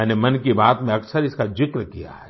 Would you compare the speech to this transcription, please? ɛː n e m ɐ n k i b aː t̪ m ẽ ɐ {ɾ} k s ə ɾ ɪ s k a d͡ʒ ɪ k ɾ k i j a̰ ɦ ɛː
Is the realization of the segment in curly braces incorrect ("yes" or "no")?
yes